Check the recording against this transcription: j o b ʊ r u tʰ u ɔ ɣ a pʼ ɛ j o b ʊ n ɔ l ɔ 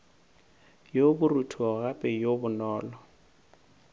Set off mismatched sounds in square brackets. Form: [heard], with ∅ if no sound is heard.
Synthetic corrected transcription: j o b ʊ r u tʰ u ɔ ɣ a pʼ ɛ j o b ʊ n [ɔː] l ɔ